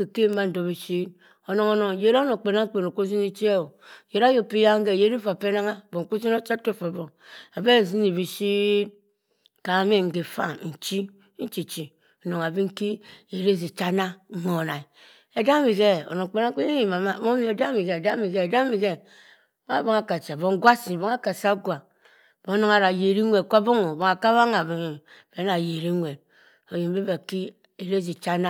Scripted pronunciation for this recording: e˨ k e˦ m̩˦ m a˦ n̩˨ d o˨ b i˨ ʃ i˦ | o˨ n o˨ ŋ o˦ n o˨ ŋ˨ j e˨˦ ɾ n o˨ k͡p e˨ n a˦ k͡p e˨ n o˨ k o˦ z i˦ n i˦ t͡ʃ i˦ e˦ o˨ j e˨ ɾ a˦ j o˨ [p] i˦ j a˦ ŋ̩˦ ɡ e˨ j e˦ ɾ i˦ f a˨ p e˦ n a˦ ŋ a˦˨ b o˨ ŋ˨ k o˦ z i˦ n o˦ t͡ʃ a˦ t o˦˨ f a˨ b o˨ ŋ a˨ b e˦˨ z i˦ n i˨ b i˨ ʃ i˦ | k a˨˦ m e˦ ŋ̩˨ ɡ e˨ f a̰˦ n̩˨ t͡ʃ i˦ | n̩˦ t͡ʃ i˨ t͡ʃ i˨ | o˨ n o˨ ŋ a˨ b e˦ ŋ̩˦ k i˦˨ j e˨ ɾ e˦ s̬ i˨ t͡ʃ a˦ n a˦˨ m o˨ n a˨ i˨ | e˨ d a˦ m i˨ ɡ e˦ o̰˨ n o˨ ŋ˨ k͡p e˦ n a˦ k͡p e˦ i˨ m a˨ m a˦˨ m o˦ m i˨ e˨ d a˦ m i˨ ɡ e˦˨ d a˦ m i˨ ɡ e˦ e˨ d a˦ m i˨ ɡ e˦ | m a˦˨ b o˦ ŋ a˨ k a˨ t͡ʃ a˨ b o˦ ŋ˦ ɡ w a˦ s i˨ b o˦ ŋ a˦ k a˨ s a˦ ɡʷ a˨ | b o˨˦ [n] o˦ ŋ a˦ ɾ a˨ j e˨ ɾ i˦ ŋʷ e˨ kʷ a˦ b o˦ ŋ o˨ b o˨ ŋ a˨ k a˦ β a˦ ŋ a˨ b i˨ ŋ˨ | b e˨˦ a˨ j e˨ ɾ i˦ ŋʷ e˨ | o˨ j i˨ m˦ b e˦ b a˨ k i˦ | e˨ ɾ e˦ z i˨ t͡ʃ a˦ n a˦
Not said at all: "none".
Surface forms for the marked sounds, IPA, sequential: p, n

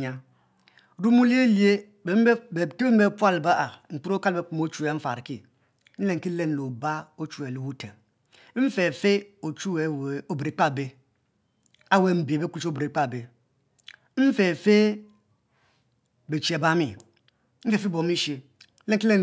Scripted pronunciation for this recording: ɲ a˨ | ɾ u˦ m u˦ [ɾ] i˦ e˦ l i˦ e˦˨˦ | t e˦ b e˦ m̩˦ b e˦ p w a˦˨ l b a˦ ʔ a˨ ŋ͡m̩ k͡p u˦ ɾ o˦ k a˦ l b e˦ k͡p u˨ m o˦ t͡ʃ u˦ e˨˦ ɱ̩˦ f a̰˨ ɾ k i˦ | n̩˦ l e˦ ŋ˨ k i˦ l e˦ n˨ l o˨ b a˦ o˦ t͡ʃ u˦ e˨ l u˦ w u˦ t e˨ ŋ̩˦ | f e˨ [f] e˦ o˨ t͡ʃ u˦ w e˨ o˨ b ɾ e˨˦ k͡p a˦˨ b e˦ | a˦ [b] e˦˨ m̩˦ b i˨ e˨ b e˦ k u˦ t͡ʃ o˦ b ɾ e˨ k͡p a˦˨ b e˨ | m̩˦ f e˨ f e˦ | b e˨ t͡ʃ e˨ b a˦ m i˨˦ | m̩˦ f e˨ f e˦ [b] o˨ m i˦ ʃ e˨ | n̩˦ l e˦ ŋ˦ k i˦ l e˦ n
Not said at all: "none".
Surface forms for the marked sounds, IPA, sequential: l, f, w, b

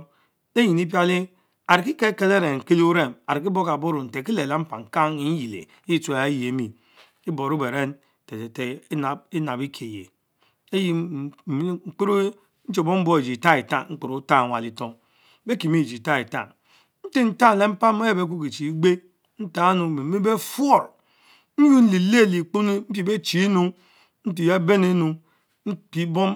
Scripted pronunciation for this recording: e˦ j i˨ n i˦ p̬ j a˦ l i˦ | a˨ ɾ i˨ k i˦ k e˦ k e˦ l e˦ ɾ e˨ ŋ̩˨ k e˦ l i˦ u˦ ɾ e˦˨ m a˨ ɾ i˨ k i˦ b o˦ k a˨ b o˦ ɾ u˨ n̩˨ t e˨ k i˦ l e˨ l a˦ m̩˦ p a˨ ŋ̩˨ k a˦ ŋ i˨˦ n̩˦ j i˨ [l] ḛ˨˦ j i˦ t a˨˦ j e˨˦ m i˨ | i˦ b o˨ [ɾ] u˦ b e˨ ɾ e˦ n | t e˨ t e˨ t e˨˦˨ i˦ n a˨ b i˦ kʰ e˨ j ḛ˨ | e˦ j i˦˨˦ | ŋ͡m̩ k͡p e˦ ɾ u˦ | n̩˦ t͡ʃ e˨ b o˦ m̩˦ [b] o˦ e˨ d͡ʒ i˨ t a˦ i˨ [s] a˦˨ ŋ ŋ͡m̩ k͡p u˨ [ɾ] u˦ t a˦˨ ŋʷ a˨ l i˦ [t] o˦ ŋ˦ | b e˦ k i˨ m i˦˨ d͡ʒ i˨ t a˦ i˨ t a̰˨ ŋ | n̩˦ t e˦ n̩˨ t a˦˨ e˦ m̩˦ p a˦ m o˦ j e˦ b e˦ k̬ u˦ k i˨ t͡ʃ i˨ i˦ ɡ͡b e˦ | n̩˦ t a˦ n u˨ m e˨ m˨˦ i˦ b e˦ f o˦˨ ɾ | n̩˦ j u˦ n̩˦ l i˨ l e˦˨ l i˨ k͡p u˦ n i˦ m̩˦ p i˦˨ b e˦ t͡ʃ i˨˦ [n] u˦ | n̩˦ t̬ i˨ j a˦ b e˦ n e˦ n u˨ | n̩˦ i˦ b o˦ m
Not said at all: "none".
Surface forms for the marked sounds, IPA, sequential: l, ɾ, b, t, ɾ, t, n

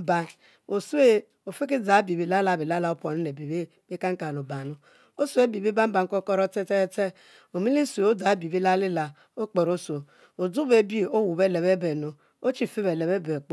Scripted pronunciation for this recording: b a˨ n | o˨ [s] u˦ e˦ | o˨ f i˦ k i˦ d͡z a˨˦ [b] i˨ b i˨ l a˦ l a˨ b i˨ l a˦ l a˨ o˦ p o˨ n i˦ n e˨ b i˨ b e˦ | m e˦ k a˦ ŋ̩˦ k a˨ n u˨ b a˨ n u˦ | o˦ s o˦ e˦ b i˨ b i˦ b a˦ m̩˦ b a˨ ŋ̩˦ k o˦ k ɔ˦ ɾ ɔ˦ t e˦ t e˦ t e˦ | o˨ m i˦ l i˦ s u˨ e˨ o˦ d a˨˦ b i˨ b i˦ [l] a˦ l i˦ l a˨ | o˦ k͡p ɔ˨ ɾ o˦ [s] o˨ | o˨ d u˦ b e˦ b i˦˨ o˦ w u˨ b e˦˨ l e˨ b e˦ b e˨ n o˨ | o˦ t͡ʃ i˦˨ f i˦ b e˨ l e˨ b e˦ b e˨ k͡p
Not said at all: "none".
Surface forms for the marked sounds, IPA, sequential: s, b, l, s

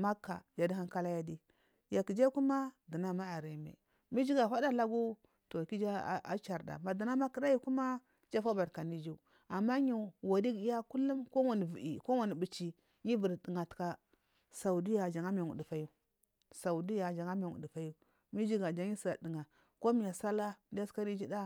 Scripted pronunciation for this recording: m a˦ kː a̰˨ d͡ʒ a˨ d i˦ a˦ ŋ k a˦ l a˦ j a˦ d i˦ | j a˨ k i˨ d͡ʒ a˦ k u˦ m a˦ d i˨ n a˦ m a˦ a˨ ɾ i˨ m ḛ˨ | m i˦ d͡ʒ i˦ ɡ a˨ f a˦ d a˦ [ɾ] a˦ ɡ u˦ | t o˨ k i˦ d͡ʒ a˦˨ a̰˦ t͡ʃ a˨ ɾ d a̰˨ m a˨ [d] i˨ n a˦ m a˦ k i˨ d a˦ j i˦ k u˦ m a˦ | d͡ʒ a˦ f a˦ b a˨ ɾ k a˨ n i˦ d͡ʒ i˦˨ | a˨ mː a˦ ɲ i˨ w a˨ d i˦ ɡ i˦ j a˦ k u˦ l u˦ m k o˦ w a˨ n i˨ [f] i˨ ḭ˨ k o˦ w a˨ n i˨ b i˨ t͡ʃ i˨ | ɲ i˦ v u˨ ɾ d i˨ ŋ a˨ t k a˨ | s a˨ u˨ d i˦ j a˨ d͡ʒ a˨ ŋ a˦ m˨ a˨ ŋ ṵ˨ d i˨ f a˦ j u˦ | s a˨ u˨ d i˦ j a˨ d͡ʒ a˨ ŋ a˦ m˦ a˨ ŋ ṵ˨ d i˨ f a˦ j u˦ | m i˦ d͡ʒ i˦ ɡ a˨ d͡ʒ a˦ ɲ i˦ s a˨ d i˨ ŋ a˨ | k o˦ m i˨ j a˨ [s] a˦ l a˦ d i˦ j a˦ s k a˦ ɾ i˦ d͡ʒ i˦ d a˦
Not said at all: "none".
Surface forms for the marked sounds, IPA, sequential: l, d, v, s

